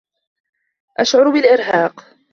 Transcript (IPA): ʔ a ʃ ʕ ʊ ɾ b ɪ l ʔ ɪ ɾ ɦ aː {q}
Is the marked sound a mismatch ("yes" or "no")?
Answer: no